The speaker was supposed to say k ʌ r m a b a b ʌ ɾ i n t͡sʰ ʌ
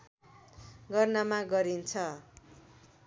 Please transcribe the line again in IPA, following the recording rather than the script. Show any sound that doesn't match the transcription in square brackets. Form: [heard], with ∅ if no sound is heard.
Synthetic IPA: [ɡ] ʌ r [n] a [m] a [ɡ] ʌ ɾ i n t͡sʰ ʌ